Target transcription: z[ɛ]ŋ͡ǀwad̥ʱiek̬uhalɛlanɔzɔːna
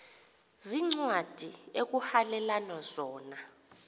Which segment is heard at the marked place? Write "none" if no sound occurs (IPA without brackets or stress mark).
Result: i